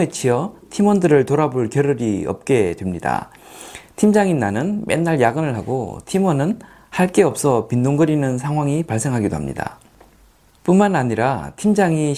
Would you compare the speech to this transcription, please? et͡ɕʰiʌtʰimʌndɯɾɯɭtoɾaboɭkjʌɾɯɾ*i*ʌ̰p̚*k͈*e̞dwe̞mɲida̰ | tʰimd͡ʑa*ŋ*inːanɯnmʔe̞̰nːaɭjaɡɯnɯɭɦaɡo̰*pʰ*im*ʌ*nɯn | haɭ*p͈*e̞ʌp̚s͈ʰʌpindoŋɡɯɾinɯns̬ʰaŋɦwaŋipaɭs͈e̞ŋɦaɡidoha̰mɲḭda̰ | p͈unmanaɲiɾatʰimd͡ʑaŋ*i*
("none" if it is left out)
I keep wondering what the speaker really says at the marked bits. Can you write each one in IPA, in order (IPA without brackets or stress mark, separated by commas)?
i, k͈, ŋ, tʰ, ʌ, k͈, i